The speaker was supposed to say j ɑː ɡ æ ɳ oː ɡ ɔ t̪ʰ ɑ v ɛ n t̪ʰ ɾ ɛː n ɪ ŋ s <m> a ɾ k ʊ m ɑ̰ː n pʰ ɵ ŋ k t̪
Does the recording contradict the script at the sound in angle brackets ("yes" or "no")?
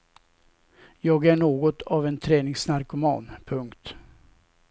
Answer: yes